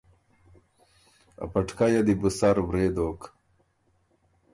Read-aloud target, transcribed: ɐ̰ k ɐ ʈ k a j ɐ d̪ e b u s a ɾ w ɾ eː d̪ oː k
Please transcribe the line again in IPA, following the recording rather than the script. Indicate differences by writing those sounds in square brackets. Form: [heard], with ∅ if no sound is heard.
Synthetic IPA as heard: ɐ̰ [p] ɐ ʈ k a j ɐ d̪ [i] b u s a ɾ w ɾ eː d̪ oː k